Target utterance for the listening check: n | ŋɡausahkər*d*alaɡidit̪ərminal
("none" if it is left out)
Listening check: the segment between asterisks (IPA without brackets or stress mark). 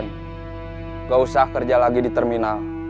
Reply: d͡ʒ